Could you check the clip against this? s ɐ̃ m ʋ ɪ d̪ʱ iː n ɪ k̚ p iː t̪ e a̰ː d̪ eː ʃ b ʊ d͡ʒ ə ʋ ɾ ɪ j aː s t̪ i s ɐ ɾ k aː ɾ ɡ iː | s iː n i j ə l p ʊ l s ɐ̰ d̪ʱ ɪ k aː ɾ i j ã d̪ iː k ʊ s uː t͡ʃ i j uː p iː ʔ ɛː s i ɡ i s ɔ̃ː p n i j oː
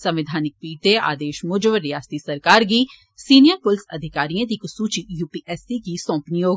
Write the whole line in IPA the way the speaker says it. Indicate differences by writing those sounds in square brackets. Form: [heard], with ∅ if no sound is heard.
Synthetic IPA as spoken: s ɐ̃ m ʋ ɪ d̪ʱ [aː] n ɪ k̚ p iː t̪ e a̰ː d̪ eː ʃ [m] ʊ d͡ʒ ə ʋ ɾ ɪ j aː s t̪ i s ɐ ɾ k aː ɾ ɡ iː | s iː n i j ə [ɾ] p ʊ l s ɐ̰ d̪ʱ ɪ k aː ɾ i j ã d̪ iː k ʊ s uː t͡ʃ i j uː p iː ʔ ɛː s i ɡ i s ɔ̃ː p n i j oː